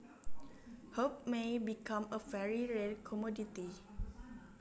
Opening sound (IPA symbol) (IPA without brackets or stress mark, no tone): h